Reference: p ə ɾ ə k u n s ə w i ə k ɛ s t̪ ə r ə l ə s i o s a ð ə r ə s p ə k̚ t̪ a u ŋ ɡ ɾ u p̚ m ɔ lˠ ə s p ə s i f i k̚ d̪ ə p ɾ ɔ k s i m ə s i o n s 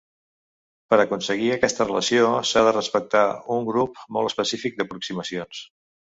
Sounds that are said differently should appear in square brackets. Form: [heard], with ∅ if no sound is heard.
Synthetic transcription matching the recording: p ə ɾ ə k u n s ə [ɣ] i ə k ɛ s t̪ ə r ə l ə s i o s a ð ə r ə s p ə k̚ t̪ a u ŋ ɡ ɾ u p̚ m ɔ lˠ ə s p ə s i f i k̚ d̪ ə p ɾ [u] k s i m ə s i o n s